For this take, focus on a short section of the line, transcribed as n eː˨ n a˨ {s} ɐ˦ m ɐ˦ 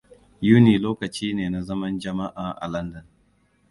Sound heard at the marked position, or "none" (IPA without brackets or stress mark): z